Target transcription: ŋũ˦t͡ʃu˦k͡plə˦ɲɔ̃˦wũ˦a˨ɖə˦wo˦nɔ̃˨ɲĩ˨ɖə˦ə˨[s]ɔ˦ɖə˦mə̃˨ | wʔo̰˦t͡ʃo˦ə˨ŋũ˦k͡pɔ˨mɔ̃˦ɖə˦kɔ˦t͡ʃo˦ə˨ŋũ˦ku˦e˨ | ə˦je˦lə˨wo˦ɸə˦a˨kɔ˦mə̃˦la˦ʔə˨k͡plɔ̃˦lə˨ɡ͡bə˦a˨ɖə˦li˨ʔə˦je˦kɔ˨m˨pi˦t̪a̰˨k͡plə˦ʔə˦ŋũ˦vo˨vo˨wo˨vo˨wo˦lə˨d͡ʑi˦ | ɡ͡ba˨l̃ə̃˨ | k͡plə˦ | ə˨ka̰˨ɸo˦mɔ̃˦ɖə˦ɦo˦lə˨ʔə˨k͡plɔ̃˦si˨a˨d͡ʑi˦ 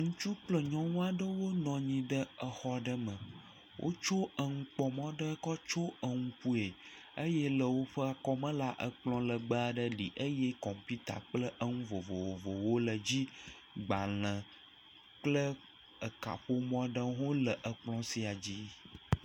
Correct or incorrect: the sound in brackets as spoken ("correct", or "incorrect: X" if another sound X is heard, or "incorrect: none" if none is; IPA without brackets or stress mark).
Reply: incorrect: x